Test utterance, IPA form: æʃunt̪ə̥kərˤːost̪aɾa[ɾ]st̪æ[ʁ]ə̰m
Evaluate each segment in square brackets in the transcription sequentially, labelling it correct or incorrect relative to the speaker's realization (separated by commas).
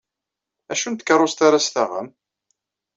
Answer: incorrect, correct